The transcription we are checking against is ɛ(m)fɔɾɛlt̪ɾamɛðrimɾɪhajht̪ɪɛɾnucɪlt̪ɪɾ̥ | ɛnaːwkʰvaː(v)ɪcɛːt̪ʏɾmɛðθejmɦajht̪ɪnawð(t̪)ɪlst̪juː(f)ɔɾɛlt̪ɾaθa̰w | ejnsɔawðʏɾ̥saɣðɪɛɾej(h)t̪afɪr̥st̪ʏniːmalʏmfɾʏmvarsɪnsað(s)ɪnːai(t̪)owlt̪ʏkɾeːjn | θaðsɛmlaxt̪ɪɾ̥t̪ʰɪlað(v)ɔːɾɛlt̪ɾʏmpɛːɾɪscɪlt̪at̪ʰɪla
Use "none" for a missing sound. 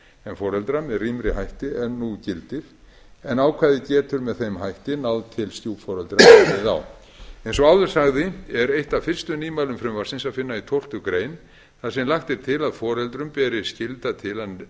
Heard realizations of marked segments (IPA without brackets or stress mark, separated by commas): n, ð, t̪ʰ, f, h, f, t̪ʰ, f